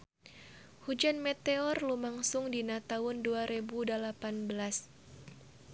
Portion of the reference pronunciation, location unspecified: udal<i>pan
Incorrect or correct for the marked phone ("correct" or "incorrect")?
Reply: incorrect